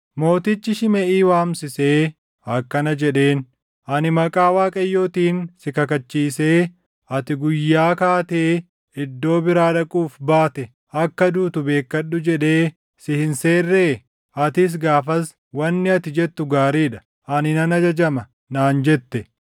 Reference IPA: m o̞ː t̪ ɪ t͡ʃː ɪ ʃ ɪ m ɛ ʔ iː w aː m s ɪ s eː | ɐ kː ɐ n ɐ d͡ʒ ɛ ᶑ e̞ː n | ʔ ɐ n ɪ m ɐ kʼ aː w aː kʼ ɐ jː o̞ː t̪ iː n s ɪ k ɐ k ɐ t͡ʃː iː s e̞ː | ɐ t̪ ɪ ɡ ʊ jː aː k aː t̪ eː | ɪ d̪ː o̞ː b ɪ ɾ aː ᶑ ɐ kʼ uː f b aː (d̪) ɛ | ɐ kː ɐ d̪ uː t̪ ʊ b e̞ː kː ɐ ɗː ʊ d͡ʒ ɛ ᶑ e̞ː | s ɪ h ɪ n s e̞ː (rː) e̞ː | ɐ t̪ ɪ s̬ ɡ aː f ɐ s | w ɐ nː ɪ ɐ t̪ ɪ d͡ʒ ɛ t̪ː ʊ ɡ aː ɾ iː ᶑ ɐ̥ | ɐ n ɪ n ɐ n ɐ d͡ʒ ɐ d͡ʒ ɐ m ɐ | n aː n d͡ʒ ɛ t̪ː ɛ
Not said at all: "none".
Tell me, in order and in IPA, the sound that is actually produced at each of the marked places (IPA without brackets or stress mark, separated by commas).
t̪, rː